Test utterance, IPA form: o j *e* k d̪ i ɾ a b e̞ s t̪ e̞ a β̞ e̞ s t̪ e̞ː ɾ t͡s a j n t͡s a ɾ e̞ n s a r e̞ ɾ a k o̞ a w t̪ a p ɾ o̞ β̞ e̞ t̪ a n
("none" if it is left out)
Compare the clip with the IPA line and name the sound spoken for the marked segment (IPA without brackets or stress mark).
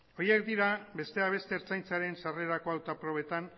e